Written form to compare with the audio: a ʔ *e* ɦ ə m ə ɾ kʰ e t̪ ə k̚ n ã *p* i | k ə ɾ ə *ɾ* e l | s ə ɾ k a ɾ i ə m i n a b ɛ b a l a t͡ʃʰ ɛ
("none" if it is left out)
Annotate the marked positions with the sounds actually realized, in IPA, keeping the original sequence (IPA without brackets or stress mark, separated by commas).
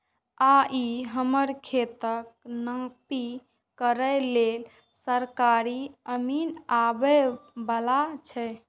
i, p, l